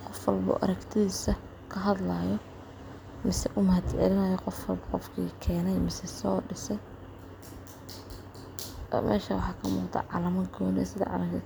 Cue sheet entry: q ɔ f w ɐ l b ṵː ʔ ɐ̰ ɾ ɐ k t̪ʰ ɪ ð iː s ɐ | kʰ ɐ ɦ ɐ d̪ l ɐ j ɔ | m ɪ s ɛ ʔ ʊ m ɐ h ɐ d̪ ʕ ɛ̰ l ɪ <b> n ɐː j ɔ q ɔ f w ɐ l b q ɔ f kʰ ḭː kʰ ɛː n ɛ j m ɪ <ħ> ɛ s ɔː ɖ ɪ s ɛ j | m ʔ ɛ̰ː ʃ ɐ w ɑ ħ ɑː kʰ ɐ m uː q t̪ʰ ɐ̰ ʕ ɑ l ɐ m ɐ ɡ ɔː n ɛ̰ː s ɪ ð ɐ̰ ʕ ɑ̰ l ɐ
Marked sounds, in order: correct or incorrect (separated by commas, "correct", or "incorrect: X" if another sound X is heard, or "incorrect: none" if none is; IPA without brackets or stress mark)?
incorrect: none, incorrect: s